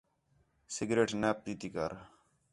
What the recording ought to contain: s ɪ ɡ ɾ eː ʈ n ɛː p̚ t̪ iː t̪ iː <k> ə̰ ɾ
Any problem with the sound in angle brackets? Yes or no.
no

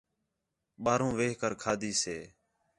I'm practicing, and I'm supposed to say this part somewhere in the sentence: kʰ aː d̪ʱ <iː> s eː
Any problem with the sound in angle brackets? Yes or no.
no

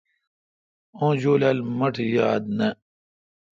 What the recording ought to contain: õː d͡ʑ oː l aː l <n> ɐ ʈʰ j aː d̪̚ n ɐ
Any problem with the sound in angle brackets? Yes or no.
yes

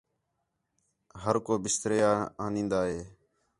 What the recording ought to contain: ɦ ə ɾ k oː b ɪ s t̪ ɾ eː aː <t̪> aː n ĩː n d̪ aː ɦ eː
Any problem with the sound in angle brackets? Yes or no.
yes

